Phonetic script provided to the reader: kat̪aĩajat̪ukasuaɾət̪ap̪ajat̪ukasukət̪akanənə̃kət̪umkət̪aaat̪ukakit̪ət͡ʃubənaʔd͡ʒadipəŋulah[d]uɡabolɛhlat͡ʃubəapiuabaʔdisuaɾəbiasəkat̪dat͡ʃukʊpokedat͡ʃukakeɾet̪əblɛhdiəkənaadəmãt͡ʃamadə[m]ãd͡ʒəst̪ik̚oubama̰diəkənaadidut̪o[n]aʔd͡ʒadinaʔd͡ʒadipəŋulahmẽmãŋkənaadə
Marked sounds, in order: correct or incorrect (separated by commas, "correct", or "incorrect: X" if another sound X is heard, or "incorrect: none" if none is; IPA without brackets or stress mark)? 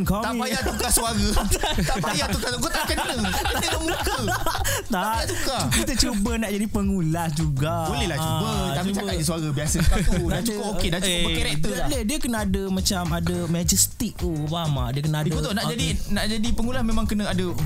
incorrect: d͡ʒ, correct, correct